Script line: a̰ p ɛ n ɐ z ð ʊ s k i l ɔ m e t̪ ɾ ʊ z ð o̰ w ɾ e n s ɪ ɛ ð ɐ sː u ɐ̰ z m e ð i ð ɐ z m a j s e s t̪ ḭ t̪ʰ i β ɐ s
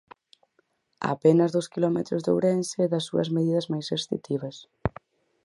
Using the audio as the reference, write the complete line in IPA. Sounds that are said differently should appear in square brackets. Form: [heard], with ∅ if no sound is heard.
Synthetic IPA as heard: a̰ p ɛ n ɐ z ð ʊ s k i l ɔ m e t̪ ɾ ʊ z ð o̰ w ɾ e n s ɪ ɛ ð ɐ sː u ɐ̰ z m e ð i ð ɐ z m a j s e s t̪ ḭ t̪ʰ i β ɐ s

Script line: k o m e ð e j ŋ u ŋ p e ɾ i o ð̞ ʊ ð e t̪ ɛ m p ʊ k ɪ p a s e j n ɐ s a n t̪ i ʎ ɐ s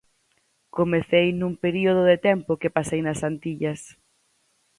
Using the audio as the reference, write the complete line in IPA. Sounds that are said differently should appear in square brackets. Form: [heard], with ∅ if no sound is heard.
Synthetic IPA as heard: k o m e [θ] e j [n] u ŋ p e ɾ i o ð̞ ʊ ð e t̪ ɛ m p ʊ k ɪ p a s e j n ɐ s a n t̪ i ʎ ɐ s

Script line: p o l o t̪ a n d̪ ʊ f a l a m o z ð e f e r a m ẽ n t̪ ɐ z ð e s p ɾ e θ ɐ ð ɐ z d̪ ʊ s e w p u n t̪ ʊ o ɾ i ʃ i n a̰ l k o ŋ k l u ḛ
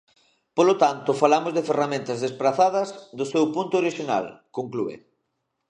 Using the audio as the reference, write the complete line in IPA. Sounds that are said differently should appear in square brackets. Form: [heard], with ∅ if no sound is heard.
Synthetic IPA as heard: p o l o t̪ a n [t̪] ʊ f a l a m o z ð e f e r a m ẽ n t̪ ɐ z ð e s p ɾ [a] θ [a] ð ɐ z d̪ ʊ s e w p u n t̪ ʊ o ɾ i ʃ i n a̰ l k o ŋ k l u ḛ

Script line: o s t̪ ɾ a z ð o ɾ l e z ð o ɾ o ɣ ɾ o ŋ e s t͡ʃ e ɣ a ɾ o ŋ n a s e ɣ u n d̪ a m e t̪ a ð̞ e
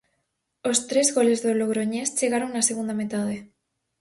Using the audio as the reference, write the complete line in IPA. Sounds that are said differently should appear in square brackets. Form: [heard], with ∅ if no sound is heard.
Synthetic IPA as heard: o s t̪ ɾ [e] z [ɣ] o [∅] l e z ð o [l] o ɣ ɾ o [ɲ] e s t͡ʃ e ɣ a ɾ o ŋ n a s e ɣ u n d̪ a m e t̪ a ð̞ e

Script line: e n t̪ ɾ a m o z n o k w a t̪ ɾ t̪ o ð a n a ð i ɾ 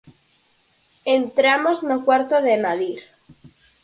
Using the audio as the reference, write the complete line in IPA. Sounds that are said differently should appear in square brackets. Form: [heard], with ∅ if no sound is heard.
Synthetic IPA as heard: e n t̪ ɾ a m o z n o k w a [∅] ɾ t̪ o ð [e] n a ð i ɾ

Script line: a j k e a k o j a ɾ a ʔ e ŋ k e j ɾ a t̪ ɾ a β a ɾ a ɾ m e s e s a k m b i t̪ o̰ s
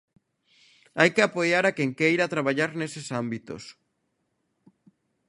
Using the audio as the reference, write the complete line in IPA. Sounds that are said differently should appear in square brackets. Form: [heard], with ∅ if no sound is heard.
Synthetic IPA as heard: a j k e a [p] o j a ɾ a [k] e ŋ k e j ɾ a t̪ ɾ a β a [ʎ] a ɾ [n] e s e s a [∅] m b i t̪ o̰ s

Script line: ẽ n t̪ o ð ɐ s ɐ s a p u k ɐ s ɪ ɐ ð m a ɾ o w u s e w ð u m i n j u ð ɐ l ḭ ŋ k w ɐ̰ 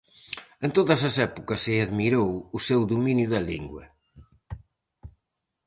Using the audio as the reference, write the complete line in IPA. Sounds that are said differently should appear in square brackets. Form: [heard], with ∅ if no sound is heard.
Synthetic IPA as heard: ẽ n t̪ o ð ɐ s ɐ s [ɛ] p u k ɐ s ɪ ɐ ð m [i] ɾ o w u s e w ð u m i n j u ð ɐ l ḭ ŋ [ɡ] w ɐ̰

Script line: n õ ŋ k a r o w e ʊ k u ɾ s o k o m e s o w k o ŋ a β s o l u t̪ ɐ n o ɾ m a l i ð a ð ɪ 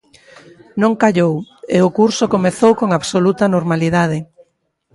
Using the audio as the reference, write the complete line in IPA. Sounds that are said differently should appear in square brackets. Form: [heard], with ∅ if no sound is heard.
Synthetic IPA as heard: n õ ŋ k a [ʎ] o w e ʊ k u ɾ s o k o m e [θ] o w k o ŋ a β s o l u t̪ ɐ n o ɾ m a l i ð a ð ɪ

